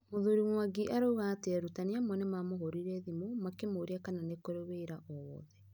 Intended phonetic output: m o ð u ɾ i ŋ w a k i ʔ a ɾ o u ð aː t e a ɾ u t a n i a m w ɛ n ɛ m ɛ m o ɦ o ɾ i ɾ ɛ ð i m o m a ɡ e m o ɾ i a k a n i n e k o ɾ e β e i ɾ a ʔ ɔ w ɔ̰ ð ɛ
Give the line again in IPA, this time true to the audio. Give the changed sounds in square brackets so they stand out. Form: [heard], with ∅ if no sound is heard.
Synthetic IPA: m o ð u ɾ i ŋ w a [ɡ] i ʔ a ɾ o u [ɣ] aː t e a ɾ u t a n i a m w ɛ n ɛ m [a] m o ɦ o ɾ i ɾ ɛ ð i m o m a [k] e m o ɾ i a k a n [a] n e k o ɾ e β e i ɾ a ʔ ɔ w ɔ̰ ð ɛ